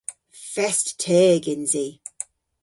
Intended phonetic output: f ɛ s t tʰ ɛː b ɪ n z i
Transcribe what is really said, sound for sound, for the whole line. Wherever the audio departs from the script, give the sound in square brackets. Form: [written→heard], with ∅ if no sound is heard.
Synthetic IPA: f ɛ s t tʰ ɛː [b→ɡ] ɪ n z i